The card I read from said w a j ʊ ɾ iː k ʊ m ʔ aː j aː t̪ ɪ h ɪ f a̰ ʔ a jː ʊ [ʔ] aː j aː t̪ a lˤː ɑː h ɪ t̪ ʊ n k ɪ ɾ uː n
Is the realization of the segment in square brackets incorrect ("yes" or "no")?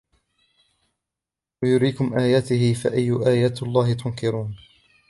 no